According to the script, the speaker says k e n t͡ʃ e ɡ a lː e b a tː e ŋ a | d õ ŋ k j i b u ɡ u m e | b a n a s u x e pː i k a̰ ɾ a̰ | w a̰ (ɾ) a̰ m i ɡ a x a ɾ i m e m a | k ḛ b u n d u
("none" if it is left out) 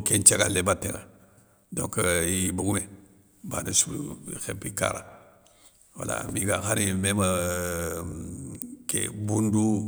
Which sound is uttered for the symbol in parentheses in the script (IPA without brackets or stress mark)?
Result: l